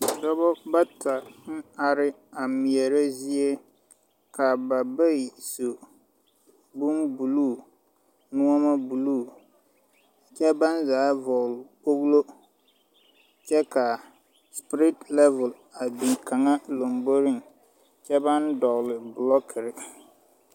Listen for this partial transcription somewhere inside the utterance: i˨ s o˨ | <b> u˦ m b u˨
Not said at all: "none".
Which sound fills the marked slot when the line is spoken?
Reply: b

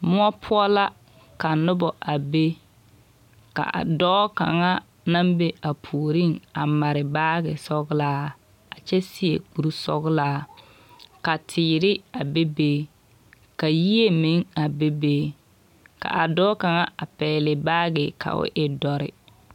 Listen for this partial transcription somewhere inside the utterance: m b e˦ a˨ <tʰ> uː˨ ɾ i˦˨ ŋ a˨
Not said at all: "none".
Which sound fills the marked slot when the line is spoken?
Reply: pʰ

